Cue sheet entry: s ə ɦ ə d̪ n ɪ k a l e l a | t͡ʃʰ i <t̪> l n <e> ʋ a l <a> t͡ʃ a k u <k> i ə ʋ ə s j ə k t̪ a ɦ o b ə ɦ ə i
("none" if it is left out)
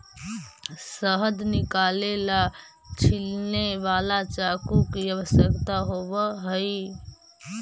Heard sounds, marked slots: none, e, a, k

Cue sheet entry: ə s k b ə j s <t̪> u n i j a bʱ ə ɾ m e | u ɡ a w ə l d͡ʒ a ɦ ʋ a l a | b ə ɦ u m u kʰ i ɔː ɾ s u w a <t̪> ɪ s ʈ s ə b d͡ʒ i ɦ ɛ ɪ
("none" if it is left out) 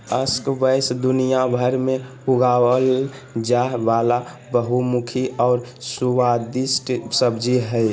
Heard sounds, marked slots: d̪, d̪

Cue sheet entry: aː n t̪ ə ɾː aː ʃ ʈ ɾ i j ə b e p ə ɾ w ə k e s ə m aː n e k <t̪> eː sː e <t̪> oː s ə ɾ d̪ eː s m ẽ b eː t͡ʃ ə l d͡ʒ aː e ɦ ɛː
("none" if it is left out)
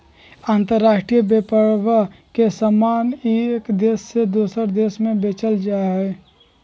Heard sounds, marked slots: d̪, d̪

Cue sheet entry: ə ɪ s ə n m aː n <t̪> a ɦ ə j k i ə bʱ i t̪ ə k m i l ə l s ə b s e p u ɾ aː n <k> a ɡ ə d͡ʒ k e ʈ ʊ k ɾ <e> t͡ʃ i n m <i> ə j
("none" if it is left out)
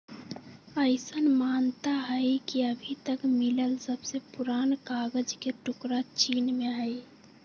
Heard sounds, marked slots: t̪, k, a, e

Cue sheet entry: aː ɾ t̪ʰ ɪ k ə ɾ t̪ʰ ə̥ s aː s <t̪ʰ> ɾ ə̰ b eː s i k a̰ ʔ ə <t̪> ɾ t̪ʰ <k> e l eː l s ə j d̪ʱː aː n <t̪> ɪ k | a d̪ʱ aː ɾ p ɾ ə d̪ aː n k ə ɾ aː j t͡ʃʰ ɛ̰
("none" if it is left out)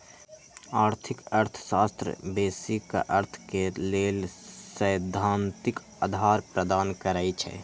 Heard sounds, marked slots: t̪, none, k, t̪

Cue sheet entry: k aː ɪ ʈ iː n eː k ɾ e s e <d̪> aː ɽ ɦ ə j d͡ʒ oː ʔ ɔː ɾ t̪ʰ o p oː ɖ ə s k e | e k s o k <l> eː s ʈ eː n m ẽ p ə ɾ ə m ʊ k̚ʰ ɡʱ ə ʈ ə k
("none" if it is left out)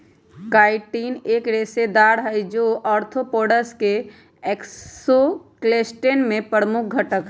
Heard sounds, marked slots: d̪, l

